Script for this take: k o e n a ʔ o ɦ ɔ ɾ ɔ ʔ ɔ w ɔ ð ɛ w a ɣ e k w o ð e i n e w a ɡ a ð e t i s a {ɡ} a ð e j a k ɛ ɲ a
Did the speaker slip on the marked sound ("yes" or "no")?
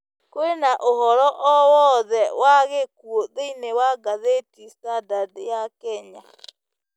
yes